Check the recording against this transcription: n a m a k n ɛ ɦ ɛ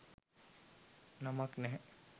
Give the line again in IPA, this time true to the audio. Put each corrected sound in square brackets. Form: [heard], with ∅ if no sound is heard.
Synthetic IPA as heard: n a m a k n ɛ ɦ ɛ